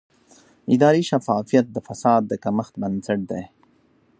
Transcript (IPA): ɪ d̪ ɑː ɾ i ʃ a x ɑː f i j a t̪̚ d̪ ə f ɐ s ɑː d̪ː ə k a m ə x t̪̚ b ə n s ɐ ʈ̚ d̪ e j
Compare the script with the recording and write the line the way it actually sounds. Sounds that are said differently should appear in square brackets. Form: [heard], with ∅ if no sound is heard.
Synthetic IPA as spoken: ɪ d̪ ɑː ɾ i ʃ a [f] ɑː f i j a t̪̚ d̪ ə f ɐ s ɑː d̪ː ə k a m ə x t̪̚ b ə n s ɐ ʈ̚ d̪ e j